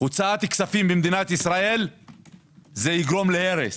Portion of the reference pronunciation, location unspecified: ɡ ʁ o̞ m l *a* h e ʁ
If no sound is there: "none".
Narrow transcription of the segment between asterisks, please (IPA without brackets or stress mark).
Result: e